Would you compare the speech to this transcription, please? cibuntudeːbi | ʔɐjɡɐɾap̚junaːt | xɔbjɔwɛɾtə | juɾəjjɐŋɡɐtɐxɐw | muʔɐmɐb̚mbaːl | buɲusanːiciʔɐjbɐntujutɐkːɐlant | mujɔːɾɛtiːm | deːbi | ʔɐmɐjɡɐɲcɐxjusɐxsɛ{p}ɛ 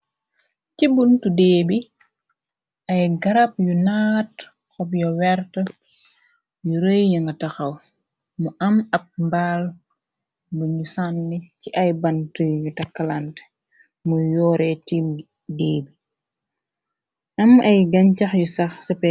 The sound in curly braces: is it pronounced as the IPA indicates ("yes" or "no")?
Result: yes